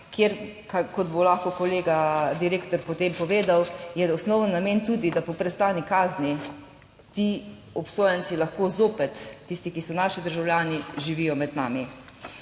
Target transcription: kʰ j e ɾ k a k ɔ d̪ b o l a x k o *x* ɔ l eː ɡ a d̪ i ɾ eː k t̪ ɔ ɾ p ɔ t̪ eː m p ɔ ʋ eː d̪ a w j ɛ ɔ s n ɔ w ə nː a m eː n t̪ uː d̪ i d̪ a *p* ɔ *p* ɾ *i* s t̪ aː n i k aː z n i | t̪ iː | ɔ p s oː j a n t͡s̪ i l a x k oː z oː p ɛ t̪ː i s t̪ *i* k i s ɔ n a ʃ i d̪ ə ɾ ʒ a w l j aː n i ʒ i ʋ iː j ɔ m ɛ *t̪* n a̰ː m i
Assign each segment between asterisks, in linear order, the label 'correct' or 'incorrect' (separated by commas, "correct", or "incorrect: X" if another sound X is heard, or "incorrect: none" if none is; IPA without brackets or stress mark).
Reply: incorrect: k, correct, correct, incorrect: ɛ, correct, incorrect: d̪